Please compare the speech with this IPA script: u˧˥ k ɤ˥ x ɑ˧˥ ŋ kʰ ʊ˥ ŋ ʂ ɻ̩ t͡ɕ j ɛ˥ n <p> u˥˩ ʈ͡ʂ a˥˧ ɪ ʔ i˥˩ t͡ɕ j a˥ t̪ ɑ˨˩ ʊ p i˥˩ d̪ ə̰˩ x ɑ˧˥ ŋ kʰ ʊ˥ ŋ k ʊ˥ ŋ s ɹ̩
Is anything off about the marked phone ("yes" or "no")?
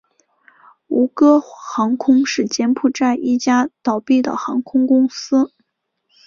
yes